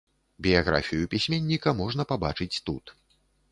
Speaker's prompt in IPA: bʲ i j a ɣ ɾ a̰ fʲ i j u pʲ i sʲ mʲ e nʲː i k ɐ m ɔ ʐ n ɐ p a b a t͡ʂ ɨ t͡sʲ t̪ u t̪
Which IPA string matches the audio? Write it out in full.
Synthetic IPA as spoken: bʲ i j a ɣ ɾ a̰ fʲ i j u pʲ i sʲ mʲ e nʲː i k ɐ m ɔ ʐ n ɐ p a b a t͡ʂ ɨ t͡sʲ t̪ u t̪